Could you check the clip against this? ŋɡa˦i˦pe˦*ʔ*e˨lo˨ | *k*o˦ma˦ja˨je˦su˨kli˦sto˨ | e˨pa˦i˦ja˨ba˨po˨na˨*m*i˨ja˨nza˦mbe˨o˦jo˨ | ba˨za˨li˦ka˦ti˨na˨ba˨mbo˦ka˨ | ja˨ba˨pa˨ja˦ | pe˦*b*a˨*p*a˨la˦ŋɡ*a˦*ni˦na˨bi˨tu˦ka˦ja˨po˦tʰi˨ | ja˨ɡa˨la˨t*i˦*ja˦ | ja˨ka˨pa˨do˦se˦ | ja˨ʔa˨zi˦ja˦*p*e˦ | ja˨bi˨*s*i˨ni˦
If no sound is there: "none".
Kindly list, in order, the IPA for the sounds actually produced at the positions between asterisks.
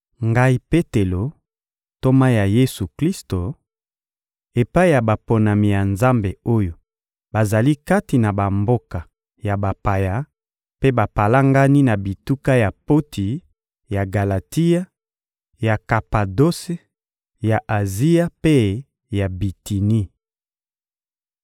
t, t, m, b, p, a˦, i˦, p, t

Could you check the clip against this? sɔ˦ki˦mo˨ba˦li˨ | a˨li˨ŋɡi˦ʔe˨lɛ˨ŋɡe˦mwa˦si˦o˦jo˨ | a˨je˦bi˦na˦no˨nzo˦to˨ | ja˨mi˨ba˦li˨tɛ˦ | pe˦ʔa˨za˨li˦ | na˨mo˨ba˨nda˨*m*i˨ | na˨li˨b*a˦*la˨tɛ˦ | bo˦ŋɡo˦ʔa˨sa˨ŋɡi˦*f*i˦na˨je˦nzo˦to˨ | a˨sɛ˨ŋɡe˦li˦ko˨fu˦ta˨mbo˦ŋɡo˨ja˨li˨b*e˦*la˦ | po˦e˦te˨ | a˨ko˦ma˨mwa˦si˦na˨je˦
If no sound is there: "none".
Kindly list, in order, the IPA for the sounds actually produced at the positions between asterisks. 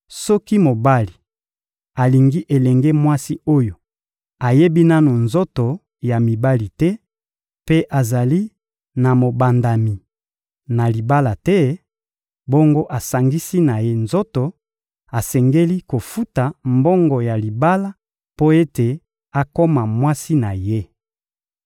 m, a˦, s, a˦

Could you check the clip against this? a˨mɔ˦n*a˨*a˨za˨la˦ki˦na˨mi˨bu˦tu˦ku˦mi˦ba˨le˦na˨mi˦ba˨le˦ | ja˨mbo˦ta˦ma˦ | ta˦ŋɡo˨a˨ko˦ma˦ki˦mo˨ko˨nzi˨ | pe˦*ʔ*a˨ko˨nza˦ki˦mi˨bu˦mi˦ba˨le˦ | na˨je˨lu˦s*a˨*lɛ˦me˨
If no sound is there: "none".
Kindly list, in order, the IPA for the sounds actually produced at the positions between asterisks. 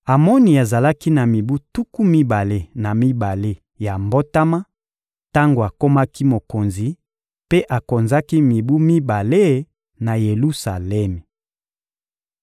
i˨, ʔ, a˨

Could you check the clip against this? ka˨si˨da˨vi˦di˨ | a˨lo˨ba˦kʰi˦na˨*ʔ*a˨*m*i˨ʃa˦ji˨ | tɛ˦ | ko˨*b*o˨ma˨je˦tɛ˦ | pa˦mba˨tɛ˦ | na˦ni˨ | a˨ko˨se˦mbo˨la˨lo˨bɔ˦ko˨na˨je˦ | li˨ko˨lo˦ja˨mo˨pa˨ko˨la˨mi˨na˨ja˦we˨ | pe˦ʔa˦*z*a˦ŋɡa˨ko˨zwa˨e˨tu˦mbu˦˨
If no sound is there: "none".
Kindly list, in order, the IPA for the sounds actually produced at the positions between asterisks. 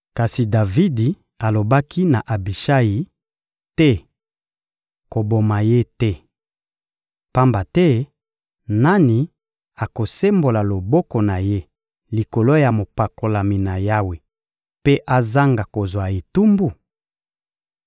ʔ, b, b, z

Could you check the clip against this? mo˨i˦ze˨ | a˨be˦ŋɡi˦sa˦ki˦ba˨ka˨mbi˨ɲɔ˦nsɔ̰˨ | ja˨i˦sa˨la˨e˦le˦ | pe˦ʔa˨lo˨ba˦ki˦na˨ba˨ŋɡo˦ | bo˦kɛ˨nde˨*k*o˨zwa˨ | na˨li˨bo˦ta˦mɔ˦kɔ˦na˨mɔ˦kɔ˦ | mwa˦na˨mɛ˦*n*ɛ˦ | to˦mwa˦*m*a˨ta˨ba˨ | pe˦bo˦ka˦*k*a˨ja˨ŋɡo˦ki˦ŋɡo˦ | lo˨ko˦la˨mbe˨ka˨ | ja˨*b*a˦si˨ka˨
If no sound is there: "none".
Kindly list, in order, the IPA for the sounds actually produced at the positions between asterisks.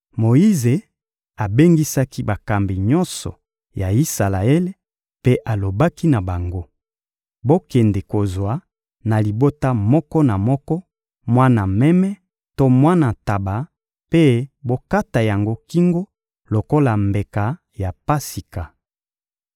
k, m, n, t, p

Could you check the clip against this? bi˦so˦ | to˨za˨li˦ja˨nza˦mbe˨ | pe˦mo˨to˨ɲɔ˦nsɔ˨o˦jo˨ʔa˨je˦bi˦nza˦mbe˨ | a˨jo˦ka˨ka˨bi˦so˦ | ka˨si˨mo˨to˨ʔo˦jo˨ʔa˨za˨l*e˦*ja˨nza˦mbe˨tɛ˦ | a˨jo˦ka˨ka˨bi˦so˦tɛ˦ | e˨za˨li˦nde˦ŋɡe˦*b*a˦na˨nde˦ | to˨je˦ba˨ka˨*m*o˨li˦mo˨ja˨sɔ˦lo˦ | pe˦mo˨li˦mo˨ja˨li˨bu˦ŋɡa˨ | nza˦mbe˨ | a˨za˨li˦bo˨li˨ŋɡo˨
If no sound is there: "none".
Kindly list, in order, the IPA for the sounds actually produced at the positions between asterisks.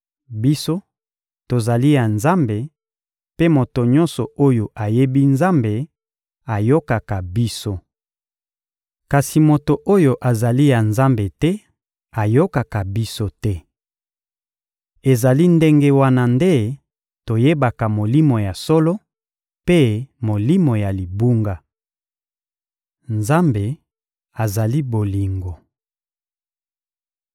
i˦, w, m

